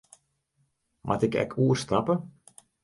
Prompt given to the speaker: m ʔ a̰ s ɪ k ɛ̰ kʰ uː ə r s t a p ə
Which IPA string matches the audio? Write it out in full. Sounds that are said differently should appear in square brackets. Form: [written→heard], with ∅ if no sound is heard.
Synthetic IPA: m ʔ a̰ [s→t] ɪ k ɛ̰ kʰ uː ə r s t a p ə

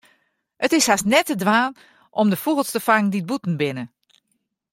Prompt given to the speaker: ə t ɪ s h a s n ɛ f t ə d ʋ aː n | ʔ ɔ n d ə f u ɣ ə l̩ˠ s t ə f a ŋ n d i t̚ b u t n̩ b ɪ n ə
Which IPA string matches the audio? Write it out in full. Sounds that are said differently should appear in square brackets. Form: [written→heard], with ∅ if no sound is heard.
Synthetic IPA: ə t ɪ s h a s n ɛ [f→∅] t ə d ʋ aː n | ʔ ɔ [n→m] d ə f u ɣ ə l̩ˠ s t ə f a ŋ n d i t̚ b u t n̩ b ɪ n ə

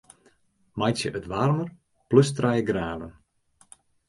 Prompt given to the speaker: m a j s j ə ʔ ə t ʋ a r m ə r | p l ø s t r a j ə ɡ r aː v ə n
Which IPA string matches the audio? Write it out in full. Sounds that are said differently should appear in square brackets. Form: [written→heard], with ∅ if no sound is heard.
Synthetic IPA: m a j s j ə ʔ ə t ʋ a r m ə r | p l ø s t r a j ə ɡ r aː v ə n

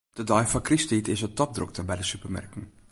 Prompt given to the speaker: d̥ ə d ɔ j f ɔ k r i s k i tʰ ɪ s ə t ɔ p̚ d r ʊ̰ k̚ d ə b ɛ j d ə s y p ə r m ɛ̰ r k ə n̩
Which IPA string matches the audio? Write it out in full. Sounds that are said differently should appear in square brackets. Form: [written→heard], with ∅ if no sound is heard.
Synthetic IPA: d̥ ə d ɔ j f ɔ k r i s [k→t] i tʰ ɪ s ə t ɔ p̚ d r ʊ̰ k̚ [d→t] ə b ɛ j d ə s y p ə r m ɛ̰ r k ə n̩

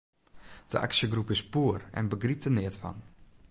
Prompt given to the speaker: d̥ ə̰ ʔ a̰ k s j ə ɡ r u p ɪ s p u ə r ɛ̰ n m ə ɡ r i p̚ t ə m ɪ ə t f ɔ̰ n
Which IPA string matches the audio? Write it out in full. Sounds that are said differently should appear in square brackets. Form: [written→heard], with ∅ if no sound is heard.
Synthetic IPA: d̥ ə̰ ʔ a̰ k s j ə ɡ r u p ɪ s p u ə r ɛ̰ n [m→b] ə ɡ r i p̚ t ə [m→n] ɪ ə t f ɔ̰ n

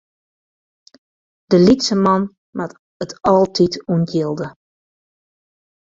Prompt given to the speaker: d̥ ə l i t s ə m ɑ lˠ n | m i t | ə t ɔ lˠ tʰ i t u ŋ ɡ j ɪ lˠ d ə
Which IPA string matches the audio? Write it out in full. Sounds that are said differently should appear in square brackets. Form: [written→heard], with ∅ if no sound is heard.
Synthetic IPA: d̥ ə l i t s ə m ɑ [lˠ→∅] n | m [i→a] t | ə t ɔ lˠ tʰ i t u [ŋ→n] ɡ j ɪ lˠ d ə

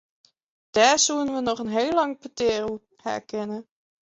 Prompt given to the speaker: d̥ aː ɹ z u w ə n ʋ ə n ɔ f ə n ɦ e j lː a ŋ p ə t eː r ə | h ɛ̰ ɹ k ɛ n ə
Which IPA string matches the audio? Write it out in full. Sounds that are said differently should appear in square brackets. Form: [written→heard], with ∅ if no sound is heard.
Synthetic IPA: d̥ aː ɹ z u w ə n ʋ ə n ɔ [f→χ] ə n ɦ e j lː [a→ɑ] ŋ p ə t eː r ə | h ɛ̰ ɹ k ɛ n ə

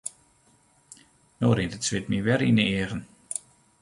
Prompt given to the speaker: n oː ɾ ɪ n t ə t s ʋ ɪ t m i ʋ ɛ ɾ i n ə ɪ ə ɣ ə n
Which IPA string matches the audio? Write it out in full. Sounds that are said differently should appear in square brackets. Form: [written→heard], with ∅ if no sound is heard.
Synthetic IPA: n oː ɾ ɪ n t ə t s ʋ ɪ t m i ʋ ɛ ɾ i n ə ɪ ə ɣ ə n

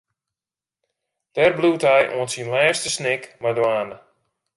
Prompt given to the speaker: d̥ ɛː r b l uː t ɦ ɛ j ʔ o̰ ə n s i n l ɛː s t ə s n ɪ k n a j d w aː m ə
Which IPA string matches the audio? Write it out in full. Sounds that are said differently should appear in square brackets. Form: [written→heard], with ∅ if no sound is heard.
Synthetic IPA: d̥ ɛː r b l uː t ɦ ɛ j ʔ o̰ ə n s i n l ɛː s t ə s n ɪ k [n→m] a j d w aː [m→n] ə

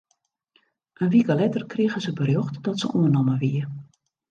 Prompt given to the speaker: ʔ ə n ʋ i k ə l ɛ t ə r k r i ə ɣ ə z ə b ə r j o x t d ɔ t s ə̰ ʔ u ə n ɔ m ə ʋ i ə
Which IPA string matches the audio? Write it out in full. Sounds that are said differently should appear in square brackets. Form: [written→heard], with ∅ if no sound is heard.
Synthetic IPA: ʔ ə n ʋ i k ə l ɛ t ə r k r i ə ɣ ə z ə b ə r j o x t d ɔ t s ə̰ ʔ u ə n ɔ m ə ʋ i ə

